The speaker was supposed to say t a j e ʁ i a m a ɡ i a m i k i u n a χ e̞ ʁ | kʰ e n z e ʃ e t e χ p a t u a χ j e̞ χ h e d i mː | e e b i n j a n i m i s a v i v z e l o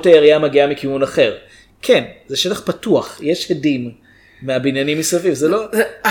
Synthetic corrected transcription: t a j e ʁ i a m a ɡ i a m i k i u n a χ e̞ ʁ | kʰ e n z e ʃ e t a χ p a t u a χ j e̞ ʃ h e d i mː | e a b i n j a n i m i s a v i v z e l o